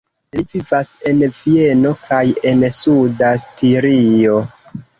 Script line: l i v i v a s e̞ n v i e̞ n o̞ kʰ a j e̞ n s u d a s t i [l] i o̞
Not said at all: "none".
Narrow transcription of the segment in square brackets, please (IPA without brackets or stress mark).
ɾ